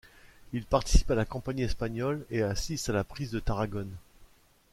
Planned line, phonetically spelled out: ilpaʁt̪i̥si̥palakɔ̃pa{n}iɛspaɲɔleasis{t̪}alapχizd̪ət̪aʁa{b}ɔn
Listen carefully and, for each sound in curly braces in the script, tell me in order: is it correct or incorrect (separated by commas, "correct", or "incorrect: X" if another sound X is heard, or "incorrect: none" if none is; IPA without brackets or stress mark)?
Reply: incorrect: ɲ, correct, incorrect: ɡ